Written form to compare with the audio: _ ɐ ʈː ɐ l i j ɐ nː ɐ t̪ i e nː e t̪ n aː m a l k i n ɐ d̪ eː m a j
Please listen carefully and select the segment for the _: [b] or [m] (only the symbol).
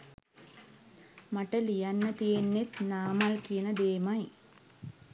m